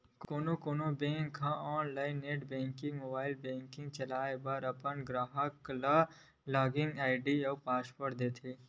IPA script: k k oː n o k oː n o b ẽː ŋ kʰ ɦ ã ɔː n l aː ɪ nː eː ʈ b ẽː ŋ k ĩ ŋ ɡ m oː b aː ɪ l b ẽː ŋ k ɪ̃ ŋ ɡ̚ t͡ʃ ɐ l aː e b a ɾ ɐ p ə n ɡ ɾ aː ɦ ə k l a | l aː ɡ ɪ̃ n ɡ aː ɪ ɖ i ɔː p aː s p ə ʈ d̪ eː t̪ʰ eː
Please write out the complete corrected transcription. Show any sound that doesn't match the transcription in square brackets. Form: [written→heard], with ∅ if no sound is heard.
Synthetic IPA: k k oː n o k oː n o b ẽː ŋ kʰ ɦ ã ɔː n l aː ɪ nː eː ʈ b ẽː ŋ k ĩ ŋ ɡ m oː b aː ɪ l b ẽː ŋ k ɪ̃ ŋ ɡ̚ t͡ʃ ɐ l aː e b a ɾ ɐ p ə n ɡ ɾ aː ɦ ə k l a | l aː ɡ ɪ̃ [n→ŋ] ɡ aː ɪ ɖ i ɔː p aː s p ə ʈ d̪ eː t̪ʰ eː